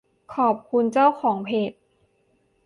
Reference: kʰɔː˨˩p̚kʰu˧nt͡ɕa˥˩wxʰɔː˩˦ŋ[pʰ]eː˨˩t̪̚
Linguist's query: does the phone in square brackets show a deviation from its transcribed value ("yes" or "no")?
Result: no